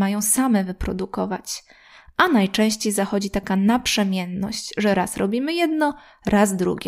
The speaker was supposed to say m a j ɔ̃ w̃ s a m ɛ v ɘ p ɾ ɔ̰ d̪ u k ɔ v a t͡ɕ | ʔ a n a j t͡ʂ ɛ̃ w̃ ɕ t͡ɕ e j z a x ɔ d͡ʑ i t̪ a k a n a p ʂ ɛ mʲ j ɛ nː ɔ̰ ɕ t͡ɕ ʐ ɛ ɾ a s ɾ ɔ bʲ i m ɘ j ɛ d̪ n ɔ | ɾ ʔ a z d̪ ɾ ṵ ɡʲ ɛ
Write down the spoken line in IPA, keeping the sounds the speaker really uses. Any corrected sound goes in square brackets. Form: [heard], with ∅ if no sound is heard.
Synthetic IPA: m a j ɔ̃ w̃ s a m ɛ v ɘ p ɾ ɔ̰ d̪ u k ɔ v a t͡ɕ | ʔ a n a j t͡ʂ ɛ̃ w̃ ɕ t͡ɕ e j z a x ɔ d͡ʑ i t̪ a k a n a p ʂ ɛ mʲ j ɛ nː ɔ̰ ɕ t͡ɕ ʐ ɛ ɾ a s ɾ ɔ bʲ i m ɘ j ɛ d̪ n ɔ | ɾ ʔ a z d̪ ɾ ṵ ɡʲ ɛ